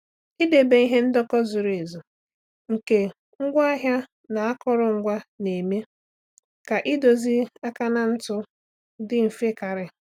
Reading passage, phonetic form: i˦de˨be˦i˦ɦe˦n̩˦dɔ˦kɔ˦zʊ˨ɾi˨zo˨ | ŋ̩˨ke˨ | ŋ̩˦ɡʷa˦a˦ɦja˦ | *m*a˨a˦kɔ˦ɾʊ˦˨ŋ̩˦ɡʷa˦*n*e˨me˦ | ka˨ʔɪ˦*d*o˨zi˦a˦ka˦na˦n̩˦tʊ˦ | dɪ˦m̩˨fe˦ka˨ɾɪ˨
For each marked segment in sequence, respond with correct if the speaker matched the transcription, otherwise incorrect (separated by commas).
incorrect, correct, correct